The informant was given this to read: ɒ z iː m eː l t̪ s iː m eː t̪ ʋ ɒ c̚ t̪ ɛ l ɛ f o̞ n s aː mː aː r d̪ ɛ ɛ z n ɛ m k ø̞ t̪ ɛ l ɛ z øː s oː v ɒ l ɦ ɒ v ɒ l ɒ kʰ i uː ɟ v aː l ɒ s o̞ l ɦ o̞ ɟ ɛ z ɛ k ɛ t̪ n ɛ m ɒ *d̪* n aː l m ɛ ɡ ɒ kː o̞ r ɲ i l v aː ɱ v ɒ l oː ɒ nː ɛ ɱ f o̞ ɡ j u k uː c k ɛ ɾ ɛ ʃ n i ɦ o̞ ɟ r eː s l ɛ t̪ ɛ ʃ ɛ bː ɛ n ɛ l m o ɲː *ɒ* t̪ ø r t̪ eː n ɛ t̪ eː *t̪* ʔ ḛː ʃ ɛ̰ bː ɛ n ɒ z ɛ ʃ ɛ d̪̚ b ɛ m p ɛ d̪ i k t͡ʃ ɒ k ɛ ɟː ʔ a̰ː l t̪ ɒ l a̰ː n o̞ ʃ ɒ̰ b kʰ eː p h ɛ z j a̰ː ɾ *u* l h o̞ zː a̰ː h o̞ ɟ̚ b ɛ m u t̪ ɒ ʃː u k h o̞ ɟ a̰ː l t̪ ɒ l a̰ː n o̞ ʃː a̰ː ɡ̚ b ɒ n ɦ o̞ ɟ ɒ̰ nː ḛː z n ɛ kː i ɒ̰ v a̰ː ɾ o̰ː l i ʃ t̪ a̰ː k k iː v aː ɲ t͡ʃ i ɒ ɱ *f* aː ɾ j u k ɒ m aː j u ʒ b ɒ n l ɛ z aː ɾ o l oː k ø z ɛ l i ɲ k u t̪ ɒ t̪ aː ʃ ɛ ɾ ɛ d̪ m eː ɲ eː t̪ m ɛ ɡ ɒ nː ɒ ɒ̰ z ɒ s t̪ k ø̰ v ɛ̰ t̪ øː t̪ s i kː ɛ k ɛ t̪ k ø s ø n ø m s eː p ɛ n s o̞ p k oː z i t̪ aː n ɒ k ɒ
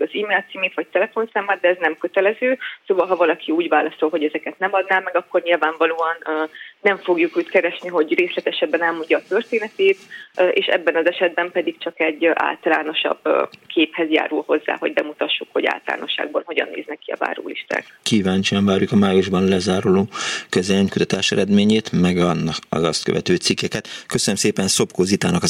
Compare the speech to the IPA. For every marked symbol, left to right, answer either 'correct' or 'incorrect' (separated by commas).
correct, incorrect, correct, correct, incorrect